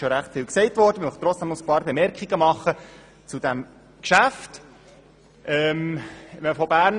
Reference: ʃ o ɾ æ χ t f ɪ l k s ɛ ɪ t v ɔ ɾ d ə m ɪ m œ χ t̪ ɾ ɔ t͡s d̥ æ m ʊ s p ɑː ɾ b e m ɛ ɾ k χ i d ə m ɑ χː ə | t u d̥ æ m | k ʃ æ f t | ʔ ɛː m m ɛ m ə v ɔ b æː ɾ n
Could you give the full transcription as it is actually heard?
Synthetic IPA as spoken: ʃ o ɾ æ χ t f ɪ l k s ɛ ɪ t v ɔ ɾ d ə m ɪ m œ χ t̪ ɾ ɔ t͡s d̥ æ m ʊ s p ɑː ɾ b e m ɛ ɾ k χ i ɡ ə m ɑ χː ə | t͡s u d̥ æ m | k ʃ æ f t | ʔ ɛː m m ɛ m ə f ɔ b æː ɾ n